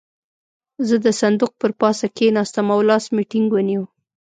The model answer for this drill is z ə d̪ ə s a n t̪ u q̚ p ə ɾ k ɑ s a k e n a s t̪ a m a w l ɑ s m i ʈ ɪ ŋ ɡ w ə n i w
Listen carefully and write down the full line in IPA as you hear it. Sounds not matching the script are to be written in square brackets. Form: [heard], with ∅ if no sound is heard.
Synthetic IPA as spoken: z ə d̪ ə s a n [d̪] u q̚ p ə ɾ [p] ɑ s a k e n [ɑ] s t̪ a m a w l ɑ s m i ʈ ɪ ŋ ɡ w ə n i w